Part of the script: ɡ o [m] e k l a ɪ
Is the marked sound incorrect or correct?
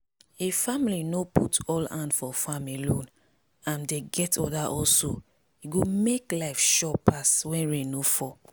correct